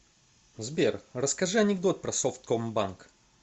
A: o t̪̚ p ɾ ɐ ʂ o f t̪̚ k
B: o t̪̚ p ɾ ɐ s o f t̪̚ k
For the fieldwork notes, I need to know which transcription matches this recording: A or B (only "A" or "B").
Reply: B